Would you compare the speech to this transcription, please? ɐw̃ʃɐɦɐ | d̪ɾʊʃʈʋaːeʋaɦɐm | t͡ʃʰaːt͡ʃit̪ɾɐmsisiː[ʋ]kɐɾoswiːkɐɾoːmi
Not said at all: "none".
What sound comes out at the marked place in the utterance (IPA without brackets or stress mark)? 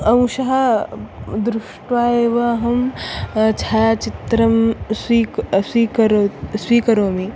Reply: none